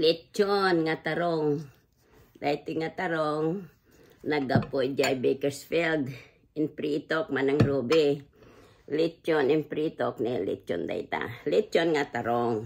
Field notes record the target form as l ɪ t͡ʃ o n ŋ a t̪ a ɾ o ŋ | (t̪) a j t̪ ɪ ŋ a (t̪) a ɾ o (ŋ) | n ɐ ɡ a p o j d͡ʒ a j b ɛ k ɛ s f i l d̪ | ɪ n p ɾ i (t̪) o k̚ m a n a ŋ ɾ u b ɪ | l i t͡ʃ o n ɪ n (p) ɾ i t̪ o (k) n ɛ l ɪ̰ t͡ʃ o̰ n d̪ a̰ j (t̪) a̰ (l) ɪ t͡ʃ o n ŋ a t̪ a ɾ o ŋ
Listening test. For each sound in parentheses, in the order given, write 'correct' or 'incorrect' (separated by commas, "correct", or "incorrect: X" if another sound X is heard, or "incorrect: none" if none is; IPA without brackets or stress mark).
incorrect: d̪, correct, correct, correct, correct, correct, correct, correct